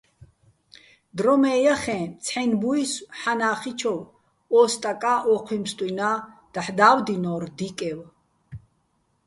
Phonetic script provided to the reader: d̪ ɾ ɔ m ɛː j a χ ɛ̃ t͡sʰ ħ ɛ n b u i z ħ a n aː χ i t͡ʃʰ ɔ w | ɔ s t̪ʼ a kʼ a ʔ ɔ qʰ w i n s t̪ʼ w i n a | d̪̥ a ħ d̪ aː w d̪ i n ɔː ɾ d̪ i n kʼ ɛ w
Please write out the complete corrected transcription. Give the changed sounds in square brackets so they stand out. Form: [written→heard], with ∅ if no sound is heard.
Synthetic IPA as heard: d̪ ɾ ɔ m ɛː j a χ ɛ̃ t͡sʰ ħ ɛ n b u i [z→s] ħ a n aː χ i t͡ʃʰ ɔ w | ɔ s t̪ʼ a kʼ a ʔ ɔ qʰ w i [n→m] s t̪ʼ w i n a | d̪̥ a ħ d̪ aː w d̪ i n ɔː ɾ d̪ i [n→∅] kʼ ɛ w